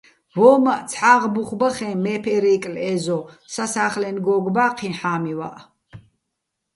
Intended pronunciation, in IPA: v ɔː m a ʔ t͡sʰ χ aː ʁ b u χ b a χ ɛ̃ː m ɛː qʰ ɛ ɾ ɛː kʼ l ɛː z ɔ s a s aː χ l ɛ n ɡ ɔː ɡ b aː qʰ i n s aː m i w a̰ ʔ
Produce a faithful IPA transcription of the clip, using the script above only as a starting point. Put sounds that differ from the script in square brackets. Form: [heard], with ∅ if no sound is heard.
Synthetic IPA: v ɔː m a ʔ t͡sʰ [ħ] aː ʁ b u χ b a χ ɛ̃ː m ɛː [pʰ] ɛ ɾ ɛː kʼ l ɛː z ɔ s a s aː χ l ɛ n ɡ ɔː ɡ b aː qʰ i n [ħ] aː m i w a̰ ʔ